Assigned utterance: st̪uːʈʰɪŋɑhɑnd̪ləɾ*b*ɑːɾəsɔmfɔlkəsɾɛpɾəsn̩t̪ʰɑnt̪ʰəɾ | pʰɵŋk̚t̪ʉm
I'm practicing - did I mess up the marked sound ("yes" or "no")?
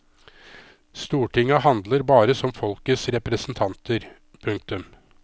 no